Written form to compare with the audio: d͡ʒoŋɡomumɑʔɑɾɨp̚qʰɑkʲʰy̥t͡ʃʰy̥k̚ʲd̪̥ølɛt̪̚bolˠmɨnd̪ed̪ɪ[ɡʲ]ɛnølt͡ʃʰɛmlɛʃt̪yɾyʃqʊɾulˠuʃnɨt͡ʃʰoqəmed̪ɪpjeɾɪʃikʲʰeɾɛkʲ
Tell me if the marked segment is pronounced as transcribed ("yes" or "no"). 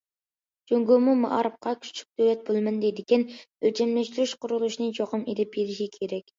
no